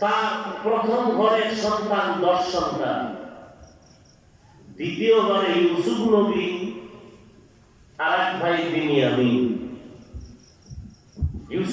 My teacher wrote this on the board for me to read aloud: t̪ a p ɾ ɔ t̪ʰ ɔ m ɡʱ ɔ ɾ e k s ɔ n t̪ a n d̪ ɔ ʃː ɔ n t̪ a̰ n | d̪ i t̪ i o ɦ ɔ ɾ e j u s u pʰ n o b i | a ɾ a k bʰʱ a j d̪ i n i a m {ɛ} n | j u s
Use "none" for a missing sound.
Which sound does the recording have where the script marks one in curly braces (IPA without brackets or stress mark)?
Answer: i